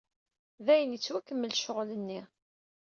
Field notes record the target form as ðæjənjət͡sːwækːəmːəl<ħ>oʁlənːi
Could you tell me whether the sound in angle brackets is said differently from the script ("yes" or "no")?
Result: yes